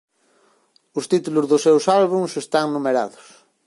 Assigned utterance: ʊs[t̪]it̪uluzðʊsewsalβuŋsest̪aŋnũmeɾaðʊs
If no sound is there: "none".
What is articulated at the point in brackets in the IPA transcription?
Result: t̪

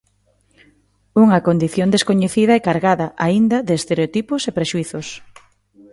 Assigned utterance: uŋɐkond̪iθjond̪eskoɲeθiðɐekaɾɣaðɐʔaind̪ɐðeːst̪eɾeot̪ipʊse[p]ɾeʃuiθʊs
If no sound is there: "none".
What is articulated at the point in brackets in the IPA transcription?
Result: p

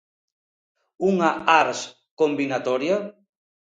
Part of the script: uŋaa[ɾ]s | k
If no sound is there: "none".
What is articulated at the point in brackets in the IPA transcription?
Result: ɾ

